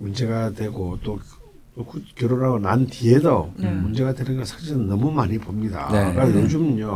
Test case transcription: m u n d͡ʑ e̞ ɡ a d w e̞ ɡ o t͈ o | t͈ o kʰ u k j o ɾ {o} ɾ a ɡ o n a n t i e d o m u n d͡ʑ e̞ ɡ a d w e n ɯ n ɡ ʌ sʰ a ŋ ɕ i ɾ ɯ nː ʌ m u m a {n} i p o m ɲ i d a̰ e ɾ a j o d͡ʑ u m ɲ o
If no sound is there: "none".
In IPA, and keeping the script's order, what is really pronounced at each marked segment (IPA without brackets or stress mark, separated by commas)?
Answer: o, ɲ